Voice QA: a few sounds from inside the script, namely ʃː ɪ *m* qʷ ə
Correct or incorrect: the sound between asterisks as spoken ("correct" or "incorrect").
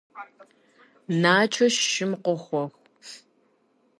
correct